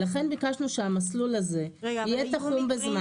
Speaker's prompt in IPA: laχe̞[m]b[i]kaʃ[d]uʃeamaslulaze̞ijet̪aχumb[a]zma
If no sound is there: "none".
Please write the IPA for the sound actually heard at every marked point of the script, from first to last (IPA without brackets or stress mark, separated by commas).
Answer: n, i, n, e